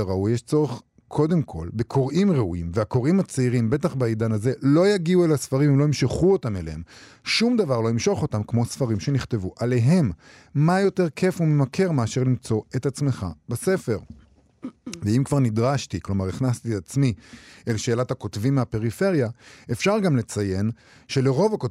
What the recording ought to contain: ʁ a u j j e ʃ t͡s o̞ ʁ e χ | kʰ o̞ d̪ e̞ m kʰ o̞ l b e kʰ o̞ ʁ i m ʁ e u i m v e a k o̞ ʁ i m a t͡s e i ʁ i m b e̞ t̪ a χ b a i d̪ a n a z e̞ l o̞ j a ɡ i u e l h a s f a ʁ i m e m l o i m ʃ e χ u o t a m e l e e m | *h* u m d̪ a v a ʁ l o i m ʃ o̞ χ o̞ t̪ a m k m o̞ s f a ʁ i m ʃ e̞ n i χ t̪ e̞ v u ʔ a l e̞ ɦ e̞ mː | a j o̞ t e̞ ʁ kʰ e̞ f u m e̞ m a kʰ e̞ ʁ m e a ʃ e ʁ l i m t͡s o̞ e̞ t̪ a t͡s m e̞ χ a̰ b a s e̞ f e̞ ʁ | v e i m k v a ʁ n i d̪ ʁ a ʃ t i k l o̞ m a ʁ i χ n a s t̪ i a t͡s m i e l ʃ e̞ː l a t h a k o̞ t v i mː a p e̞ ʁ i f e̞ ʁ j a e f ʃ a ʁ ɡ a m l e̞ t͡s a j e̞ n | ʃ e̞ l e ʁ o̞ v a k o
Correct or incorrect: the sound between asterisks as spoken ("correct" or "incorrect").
incorrect